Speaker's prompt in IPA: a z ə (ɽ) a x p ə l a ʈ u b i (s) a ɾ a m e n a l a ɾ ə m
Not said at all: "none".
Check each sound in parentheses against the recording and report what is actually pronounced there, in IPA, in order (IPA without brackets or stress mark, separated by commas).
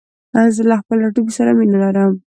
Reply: l, s